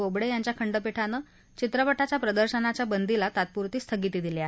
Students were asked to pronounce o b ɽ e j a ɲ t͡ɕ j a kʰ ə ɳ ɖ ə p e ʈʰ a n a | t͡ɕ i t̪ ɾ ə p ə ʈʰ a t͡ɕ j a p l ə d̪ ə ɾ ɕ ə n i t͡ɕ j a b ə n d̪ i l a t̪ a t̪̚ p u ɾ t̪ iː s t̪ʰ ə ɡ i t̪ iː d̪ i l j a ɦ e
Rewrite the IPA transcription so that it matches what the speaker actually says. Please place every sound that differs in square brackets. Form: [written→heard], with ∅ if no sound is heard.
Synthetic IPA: o b ɽ e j a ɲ t͡ɕ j a kʰ ə ɳ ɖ ə p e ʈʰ a n [a→ə] | t͡ɕ i t̪ ɾ ə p ə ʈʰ a t͡ɕ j a p [l→ɾ] ə d̪ ə ɾ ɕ ə n [i→a] t͡ɕ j a b ə n d̪ i l a t̪ a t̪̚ p u ɾ t̪ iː s t̪ʰ ə ɡ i t̪ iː d̪ i l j a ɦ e